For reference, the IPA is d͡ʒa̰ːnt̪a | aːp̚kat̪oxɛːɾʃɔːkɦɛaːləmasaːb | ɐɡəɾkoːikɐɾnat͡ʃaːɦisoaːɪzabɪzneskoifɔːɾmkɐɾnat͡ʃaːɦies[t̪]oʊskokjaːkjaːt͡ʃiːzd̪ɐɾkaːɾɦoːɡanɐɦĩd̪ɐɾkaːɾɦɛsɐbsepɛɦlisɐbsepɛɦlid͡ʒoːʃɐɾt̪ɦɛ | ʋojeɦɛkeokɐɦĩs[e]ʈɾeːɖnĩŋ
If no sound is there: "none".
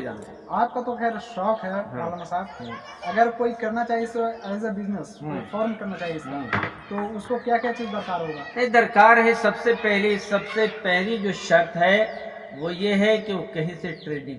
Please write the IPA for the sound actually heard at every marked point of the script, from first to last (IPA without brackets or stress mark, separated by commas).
t̪, e